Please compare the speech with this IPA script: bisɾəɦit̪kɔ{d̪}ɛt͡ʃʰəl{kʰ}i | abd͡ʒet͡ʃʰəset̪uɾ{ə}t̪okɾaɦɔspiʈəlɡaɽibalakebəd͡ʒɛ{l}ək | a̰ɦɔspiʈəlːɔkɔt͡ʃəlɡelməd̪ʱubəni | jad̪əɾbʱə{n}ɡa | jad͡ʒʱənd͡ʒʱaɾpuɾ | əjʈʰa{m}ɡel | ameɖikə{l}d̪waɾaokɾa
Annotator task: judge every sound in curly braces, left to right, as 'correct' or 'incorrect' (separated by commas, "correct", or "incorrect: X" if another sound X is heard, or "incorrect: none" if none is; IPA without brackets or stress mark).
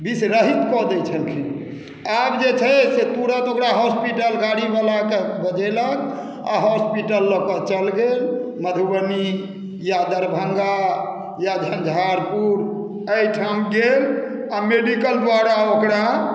correct, correct, correct, correct, incorrect: ŋ, correct, correct